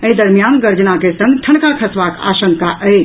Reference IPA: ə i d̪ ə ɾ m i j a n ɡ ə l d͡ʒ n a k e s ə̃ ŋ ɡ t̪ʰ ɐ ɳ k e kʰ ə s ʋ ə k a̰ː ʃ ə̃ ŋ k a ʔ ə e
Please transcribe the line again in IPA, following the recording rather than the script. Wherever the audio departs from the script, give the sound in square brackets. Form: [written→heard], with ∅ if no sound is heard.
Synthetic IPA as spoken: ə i d̪ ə ɾ m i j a n ɡ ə [l→ɾ] d͡ʒ n a k e s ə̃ ŋ ɡ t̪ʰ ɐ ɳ k [e→a] kʰ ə s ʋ [ə→a] k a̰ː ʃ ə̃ ŋ k a ʔ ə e